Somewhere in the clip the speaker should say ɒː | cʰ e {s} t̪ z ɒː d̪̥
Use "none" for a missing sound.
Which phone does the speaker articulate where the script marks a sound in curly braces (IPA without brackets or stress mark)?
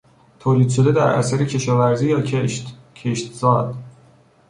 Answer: ʃ